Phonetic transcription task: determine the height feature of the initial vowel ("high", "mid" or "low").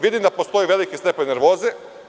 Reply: high